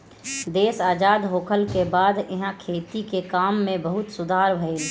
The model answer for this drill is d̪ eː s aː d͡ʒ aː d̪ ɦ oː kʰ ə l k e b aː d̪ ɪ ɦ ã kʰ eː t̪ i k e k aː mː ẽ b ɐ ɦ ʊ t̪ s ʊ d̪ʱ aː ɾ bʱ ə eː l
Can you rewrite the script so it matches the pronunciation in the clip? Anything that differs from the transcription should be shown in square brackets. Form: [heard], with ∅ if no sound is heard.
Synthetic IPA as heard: d̪ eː s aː d͡ʒ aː d̪ ɦ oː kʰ ə l k e b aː d̪ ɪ ɦ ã kʰ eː t̪ i k e k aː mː ẽ b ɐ ɦ ʊ t̪ s ʊ d̪ʱ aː ɾ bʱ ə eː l